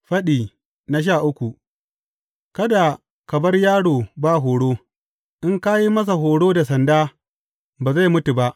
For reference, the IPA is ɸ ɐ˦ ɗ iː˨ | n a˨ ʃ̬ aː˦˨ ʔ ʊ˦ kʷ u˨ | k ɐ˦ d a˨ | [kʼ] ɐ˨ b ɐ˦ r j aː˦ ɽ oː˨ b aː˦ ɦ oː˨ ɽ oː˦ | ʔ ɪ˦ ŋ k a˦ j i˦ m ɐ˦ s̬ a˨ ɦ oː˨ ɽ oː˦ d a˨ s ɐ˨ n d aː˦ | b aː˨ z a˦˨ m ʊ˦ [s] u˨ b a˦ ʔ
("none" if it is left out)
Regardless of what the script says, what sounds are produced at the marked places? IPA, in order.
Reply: k, t

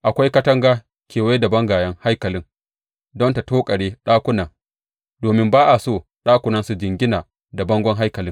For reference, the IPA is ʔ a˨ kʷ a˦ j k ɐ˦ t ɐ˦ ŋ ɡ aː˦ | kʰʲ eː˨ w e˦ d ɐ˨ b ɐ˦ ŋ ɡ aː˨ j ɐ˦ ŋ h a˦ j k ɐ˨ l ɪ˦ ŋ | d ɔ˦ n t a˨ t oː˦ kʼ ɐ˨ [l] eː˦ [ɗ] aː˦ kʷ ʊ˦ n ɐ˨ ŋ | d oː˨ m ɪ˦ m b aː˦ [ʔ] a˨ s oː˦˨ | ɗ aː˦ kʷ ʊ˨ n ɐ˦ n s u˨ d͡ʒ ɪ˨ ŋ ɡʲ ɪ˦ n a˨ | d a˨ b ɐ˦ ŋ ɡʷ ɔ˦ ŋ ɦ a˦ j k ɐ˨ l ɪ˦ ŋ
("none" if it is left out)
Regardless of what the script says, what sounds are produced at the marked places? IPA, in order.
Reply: ɽ, ɗ, ʔ

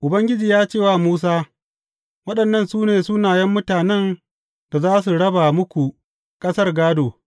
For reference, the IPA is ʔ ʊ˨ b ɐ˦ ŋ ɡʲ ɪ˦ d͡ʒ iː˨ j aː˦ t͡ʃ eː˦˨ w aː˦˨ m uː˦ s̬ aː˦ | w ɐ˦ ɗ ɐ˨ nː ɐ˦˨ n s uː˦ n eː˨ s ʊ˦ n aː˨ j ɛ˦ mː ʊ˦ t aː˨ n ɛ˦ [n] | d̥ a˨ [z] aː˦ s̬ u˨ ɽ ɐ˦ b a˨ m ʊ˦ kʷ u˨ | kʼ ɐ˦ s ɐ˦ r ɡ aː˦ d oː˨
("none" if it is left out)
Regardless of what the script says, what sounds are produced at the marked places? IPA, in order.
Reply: n, z

